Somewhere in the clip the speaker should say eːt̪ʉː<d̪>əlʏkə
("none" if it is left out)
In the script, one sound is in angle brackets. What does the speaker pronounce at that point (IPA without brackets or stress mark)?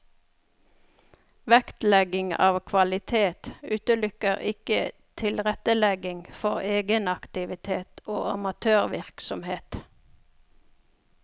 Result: t̪